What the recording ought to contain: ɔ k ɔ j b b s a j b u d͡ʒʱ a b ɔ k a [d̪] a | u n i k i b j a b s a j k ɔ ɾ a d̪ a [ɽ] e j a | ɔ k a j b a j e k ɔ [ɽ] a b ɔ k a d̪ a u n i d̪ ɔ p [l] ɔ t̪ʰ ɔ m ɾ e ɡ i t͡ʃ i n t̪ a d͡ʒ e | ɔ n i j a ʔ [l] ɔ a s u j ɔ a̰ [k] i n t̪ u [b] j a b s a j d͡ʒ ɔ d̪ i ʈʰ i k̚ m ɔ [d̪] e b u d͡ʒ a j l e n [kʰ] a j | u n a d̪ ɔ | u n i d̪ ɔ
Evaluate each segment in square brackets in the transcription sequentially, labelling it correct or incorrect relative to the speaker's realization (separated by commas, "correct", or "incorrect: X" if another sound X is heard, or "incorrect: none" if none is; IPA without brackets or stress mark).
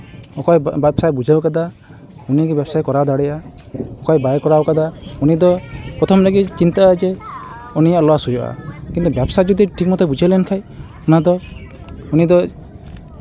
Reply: correct, correct, incorrect: ɾ, incorrect: ɾ, correct, correct, correct, incorrect: t̪, correct